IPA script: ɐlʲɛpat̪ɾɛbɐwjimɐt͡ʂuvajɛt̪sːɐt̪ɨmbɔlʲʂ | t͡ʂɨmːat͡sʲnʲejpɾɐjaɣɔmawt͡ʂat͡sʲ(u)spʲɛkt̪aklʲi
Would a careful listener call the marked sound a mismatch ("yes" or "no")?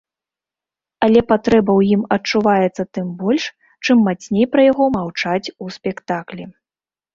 no